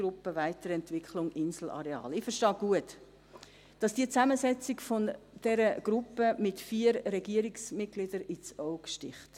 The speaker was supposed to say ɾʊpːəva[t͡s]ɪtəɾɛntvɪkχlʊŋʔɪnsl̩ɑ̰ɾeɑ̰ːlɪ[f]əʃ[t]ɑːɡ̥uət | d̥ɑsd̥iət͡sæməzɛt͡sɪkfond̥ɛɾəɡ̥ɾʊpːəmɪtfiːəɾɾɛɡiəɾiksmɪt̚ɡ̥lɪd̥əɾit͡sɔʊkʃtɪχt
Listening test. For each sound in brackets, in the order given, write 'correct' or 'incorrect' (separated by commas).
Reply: incorrect, correct, correct